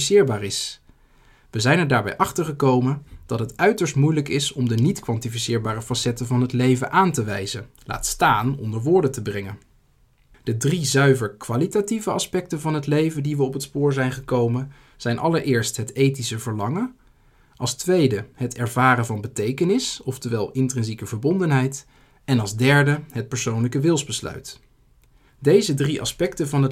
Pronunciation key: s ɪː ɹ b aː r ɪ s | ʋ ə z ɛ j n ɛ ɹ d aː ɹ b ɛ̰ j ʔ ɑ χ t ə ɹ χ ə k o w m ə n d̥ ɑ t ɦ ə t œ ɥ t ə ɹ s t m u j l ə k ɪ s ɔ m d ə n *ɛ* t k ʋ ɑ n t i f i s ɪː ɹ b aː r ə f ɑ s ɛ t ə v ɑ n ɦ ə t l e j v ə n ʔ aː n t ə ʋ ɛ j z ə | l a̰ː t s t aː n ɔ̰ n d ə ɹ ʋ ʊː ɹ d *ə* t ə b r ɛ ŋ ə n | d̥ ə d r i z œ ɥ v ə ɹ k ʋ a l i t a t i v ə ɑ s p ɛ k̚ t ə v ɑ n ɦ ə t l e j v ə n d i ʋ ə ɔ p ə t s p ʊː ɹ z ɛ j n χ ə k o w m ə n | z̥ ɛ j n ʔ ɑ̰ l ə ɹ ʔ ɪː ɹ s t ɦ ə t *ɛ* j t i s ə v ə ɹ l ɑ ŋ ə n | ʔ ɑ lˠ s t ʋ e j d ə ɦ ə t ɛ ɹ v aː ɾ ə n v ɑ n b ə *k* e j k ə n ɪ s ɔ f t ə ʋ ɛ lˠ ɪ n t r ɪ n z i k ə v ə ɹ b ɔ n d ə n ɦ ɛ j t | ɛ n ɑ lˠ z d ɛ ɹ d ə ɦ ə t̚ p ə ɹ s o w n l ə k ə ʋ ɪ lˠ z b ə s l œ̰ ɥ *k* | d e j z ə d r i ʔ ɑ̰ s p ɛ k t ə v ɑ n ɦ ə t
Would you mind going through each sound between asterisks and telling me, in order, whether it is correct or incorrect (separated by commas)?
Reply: incorrect, correct, incorrect, incorrect, incorrect